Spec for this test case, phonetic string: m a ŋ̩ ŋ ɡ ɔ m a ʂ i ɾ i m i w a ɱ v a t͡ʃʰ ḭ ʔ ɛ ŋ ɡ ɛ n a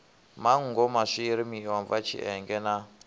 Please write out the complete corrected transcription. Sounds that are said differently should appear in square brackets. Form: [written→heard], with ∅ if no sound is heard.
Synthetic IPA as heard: m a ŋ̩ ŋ ɡ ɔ m a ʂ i ɾ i m i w a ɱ v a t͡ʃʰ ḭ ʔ ɛ ŋ ɡ ɛ n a